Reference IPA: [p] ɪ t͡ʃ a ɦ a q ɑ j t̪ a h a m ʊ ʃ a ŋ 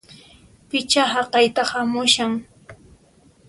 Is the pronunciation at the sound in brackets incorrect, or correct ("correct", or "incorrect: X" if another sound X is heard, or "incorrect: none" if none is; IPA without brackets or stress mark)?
correct